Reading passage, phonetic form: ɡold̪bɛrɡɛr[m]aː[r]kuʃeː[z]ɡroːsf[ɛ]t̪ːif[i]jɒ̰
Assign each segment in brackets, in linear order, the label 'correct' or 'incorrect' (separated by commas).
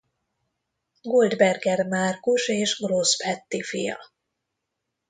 correct, correct, incorrect, correct, correct